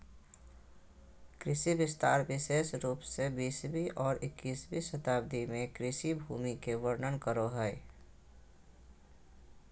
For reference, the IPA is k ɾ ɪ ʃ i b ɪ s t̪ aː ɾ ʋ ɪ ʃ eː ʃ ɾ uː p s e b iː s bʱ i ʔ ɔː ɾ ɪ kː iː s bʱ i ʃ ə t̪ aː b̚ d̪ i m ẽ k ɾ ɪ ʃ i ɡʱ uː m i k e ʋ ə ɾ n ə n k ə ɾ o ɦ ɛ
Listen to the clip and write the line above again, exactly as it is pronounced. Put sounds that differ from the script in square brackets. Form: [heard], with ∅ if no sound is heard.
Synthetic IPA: k ɾ ɪ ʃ i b ɪ s t̪ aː ɾ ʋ ɪ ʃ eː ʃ ɾ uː p s e b iː s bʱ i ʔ ɔː ɾ ɪ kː iː s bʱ i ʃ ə t̪ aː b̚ d̪ i m ẽ k ɾ ɪ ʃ i [bʱ] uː m i k e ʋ ə ɾ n ə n k ə ɾ o ɦ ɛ